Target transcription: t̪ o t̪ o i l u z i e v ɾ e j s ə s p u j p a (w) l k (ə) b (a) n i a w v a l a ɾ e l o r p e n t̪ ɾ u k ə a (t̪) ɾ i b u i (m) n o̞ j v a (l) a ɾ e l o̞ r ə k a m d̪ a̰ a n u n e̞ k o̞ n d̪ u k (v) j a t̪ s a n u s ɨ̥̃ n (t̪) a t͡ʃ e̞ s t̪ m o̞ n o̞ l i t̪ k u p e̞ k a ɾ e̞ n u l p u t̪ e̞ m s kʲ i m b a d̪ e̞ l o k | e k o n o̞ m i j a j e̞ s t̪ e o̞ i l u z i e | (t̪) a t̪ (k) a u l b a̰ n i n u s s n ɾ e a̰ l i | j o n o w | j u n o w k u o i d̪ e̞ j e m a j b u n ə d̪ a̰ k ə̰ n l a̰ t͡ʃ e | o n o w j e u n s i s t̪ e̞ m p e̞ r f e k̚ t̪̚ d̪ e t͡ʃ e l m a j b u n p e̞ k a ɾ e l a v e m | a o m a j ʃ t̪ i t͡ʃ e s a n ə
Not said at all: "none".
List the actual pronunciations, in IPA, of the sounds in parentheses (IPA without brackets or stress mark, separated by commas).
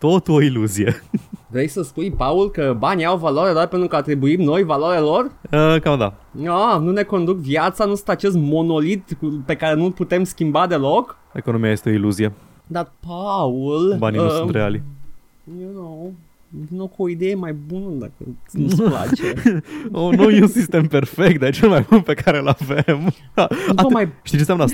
u, ə, a, t̪, m, l, v, t̪, d̪, p